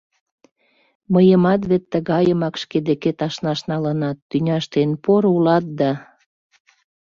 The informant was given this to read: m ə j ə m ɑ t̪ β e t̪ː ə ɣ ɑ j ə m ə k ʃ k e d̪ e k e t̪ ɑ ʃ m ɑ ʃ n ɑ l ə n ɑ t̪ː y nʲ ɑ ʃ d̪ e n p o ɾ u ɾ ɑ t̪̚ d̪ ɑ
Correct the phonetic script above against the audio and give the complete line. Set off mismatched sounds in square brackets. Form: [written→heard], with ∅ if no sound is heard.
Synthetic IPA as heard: m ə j ə m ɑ t̪ β e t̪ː ə ɣ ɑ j ə m [ə→ɑ] k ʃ k e d̪ e k e t̪ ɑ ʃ [m→n] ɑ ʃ n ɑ l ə n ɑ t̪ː y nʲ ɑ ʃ [d̪→t̪] e n p o ɾ u [ɾ→l] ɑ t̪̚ d̪ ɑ

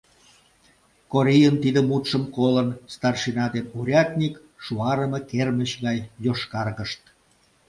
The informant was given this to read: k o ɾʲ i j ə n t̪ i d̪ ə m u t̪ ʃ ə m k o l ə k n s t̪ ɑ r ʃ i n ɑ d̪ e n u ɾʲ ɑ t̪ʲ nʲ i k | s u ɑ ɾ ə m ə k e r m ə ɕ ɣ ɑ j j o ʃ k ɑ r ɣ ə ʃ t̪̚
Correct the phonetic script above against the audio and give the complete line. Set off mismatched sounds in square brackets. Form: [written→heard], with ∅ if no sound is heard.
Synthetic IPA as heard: k o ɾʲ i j ə n t̪ i d̪ ə m u t̪ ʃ ə m k o l ə [k→∅] n s t̪ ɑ r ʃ i n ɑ d̪ e n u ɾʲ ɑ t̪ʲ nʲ i k | [s→ʃ] u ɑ ɾ ə m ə k e r m ə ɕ ɣ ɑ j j o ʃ k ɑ r ɣ ə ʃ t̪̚

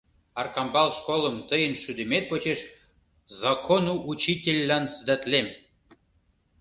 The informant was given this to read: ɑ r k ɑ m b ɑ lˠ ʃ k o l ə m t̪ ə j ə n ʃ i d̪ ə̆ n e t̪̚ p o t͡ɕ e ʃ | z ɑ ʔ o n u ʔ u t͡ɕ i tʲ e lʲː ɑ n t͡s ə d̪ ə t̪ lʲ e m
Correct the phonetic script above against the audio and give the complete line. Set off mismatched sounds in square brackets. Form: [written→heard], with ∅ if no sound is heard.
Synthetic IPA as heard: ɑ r k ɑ m b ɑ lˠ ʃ k o l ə m t̪ ə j ə n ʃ [i→y] d̪ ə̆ [n→m] e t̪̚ p o t͡ɕ e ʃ | z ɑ [ʔ→k] o n u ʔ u t͡ɕ i tʲ e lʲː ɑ n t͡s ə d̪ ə t̪ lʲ e m

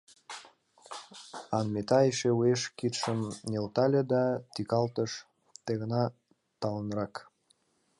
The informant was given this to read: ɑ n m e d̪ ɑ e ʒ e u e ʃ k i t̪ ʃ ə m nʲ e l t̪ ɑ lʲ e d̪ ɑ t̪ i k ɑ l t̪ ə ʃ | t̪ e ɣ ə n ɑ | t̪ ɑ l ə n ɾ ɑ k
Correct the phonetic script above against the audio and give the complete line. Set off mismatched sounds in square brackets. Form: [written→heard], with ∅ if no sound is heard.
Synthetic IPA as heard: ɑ n m e [d̪→t̪] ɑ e [ʒ→ʃ] e u e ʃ k i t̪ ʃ ə m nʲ e l t̪ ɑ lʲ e d̪ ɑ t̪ i k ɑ l t̪ ə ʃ | t̪ e ɣ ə n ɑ | t̪ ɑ l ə n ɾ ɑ k

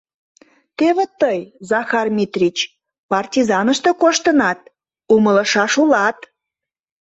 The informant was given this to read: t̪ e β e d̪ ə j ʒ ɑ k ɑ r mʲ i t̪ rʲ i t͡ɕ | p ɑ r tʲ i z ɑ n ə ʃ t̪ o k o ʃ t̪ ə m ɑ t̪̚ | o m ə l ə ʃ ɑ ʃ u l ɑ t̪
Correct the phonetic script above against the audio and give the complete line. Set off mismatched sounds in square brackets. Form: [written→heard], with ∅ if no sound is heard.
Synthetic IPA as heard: t̪ e β e [d̪→t̪] ə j [ʒ→z] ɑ [k→x] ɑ r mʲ i t̪ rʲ i t͡ɕ | p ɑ r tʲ i z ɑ n ə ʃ t̪ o k o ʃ t̪ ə [m→n] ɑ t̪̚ | [o→u] m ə l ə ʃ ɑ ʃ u l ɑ t̪

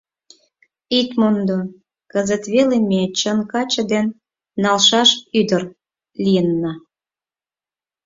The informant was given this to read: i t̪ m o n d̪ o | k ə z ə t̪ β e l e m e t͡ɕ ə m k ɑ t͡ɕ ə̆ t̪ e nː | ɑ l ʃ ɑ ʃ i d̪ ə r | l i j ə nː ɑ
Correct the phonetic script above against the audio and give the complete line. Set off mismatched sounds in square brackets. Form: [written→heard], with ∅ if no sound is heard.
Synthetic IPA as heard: i t̪ m o n d̪ o | k ə z ə t̪ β e l e m e t͡ɕ ə [m→n] k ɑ t͡ɕ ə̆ [t̪→d̪] e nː | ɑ l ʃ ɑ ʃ [i→y] d̪ ə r | l i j ə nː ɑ

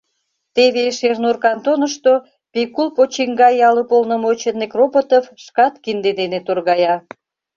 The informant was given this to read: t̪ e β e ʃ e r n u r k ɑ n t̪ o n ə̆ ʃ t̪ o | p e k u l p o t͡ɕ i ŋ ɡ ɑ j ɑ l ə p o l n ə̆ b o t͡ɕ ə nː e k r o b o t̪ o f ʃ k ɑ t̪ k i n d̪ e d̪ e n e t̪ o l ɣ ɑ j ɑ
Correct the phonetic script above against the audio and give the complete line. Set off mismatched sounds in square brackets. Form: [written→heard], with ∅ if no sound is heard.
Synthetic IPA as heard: t̪ e β e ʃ e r n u r k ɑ n t̪ o n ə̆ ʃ t̪ o | p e k u l p o t͡ɕ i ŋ ɡ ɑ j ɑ l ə p o l n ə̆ [b→m] o t͡ɕ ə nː e k r o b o t̪ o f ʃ k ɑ t̪ k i n d̪ e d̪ e n e t̪ o [l→r] ɣ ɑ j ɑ

